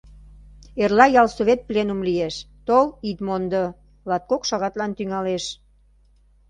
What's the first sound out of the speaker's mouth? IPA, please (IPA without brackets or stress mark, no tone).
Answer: e